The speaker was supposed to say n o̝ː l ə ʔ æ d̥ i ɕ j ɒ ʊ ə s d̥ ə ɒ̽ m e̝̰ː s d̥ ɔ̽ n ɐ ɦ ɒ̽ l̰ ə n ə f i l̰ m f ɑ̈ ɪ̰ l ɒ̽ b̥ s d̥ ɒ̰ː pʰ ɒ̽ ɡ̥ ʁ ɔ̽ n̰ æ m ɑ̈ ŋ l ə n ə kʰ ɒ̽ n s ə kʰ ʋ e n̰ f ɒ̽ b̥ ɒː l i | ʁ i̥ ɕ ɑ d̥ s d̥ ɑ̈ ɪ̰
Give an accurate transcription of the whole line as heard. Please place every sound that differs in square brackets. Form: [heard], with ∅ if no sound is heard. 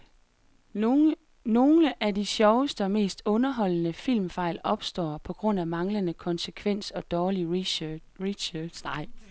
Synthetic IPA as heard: n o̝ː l ə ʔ æ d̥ i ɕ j ɒ ʊ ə s d̥ ə ɒ̽ m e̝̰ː s d̥ ɔ̽ n ɐ ɦ ɒ̽ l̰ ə n ə f i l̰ m f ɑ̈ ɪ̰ l ɒ̽ b̥ s d̥ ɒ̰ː pʰ ɒ̽ ɡ̥ ʁ ɔ̽ n̰ æ m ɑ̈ ŋ l ə n ə kʰ ɒ̽ n s ə kʰ ʋ e n̰ [s] ɒ̽ [d̥] ɒː l i | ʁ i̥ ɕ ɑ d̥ s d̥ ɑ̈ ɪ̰